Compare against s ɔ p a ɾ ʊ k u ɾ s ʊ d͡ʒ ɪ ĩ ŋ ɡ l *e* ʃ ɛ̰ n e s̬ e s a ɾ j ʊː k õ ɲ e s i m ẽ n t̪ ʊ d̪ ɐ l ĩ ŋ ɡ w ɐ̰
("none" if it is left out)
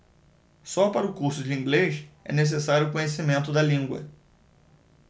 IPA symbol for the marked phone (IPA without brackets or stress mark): e